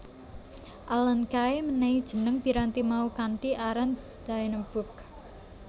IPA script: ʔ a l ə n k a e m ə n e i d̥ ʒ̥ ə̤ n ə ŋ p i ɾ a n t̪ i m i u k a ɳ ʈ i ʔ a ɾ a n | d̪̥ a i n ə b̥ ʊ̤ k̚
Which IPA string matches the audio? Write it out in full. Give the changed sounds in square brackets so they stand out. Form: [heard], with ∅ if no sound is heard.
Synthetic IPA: ʔ a l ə n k a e m ə n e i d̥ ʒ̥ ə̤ n ə ŋ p i ɾ a n t̪ i m [a] u k a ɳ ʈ i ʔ a ɾ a n | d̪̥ a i n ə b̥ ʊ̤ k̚